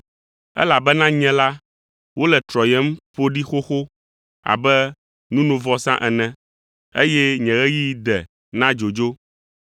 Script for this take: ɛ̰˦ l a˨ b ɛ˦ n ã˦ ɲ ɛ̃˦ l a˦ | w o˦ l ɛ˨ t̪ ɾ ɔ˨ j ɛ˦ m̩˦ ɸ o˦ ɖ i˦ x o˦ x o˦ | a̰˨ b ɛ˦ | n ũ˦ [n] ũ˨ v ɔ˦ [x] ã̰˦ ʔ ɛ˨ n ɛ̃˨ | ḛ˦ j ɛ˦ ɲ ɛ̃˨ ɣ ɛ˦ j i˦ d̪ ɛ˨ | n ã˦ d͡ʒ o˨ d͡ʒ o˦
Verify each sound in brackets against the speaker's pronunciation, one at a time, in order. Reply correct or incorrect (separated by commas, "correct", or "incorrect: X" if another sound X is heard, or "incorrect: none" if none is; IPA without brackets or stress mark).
correct, incorrect: s